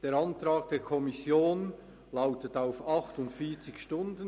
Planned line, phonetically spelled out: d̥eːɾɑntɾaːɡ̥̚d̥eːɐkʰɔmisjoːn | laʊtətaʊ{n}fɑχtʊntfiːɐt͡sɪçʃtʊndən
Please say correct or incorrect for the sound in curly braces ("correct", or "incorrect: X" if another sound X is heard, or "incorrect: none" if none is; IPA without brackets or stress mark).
incorrect: none